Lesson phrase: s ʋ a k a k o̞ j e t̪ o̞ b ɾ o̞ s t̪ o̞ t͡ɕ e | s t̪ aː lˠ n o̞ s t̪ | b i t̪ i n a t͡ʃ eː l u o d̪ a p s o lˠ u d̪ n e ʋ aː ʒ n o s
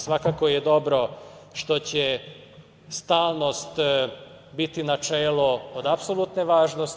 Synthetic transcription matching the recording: s ʋ a k a k o̞ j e d̪ o̞ b ɾ o̞ ʃ t̪ o̞ t͡ɕ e | s t̪ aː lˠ n o̞ s t̪ | b i t̪ i n a t͡ʃ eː l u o d̪ a p s o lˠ u t̪ n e ʋ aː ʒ n o s